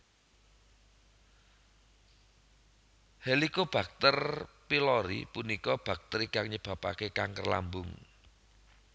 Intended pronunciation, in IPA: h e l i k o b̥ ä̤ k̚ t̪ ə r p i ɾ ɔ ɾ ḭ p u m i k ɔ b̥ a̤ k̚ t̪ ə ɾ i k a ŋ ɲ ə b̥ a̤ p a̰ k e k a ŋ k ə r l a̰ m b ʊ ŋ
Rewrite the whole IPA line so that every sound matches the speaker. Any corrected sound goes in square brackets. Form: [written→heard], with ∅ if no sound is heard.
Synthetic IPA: h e l i k o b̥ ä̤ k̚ t̪ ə r p i [ɾ→l] ɔ ɾ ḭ p u [m→n] i k ɔ b̥ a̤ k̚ t̪ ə ɾ i k a ŋ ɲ ə b̥ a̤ p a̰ k e k a ŋ k ə r l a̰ m b ʊ ŋ